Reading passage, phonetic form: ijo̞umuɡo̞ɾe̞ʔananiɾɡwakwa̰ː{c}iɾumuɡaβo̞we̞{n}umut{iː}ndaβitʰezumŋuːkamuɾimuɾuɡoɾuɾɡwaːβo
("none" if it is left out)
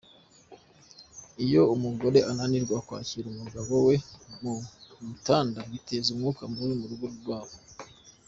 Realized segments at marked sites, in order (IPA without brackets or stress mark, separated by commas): c, m, aː